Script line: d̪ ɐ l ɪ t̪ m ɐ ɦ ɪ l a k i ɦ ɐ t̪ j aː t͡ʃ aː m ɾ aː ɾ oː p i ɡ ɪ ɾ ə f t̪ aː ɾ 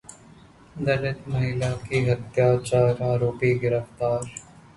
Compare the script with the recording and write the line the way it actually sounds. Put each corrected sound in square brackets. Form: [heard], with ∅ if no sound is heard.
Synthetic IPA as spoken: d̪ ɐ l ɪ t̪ m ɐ ɦ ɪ l a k i ɦ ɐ t̪ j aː t͡ʃ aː [∅] ɾ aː ɾ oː p i ɡ ɪ ɾ ə f t̪ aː ɾ